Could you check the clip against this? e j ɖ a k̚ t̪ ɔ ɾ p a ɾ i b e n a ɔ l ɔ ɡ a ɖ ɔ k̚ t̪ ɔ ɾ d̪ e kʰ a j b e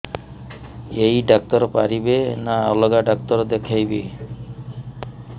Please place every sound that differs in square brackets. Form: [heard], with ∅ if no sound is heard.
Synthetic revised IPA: e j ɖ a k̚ t̪ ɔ ɾ p a ɾ i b e n a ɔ l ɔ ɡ a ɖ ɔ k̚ t̪ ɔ ɾ d̪ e kʰ a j b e